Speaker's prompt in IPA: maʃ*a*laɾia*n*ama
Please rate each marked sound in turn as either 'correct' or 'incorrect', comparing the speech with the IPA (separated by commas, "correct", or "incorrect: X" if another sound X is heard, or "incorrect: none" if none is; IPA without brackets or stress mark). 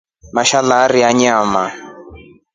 correct, incorrect: ɲ